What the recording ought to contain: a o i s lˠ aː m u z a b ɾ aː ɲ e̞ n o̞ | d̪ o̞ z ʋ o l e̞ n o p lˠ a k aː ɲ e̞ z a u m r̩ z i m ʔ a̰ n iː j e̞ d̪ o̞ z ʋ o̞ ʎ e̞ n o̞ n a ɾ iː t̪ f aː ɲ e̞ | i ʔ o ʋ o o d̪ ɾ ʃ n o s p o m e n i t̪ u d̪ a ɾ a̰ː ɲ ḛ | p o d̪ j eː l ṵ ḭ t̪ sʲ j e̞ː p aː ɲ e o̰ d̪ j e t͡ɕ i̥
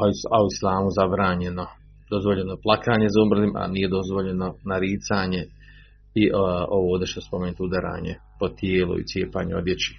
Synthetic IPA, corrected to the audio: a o i s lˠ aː m u z a b ɾ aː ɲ e̞ n o̞ | d̪ o̞ z ʋ o ʎ e̞ n o p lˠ a k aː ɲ e̞ z a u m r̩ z i m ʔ a̰ n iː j e̞ d̪ o̞ z ʋ o̞ ʎ e̞ n o̞ n a ɾ iː t̪ s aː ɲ e̞ | i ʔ o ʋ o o d̪ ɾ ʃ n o s p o m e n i t̪ u d̪ a ɾ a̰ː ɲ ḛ | p o t̪ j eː l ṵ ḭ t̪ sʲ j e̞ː p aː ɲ e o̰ d̪ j e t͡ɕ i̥